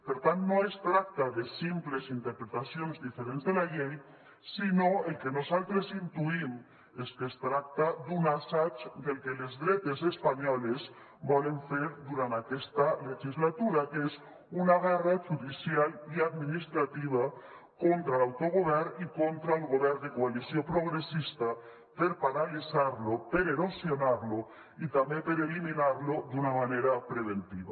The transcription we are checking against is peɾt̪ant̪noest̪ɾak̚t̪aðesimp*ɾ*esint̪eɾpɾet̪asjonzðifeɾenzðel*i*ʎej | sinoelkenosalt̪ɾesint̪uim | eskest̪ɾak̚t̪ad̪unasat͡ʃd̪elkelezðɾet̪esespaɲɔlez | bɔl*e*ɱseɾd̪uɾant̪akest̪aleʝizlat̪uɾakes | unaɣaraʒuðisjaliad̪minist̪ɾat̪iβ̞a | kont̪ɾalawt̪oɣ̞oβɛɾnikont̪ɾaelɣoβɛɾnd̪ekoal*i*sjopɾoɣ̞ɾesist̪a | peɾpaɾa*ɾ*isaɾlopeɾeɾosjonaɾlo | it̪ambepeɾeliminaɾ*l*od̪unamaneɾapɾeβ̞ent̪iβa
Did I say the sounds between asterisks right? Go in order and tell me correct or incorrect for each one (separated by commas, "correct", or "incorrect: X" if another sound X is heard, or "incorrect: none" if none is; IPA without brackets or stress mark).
incorrect: l, incorrect: a, correct, correct, incorrect: l, correct